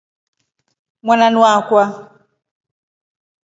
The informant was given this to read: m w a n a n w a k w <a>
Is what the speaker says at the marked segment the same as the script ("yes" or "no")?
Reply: yes